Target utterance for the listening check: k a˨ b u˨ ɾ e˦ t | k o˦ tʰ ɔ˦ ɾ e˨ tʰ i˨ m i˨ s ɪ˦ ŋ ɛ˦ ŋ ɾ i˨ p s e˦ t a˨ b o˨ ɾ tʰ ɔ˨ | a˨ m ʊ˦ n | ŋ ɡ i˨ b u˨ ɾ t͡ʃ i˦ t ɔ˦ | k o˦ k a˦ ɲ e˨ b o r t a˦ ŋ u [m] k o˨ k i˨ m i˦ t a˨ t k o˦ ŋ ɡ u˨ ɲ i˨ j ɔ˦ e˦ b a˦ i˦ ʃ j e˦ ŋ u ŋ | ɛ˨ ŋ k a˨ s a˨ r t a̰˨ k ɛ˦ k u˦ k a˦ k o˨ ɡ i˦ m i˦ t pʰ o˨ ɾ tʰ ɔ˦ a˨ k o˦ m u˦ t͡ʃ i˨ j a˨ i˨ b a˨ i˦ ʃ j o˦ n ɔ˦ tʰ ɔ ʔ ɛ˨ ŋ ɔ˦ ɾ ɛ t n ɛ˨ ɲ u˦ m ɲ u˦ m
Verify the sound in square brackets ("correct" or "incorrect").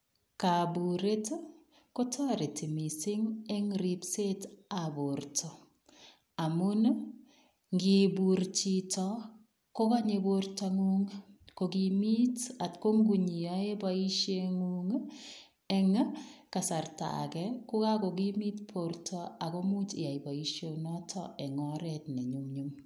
incorrect